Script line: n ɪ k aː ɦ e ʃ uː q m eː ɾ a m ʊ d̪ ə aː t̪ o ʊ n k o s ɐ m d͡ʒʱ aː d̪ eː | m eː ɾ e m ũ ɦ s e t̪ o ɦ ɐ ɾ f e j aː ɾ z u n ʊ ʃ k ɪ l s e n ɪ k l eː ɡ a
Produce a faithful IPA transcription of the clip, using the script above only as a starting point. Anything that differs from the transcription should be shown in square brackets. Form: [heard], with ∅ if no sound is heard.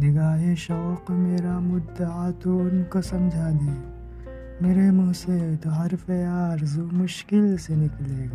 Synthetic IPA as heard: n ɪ [ɡ] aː ɦ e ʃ [ɔː] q m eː ɾ a m ʊ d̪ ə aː t̪ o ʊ n k o s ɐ m d͡ʒʱ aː d̪ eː | m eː ɾ e m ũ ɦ s e t̪ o ɦ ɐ ɾ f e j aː ɾ z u [m] ʊ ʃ k ɪ l s e n ɪ k l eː ɡ a